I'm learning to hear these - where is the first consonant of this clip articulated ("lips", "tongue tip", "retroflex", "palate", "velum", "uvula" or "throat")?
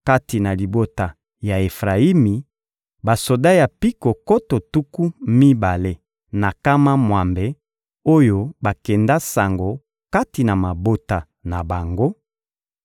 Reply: velum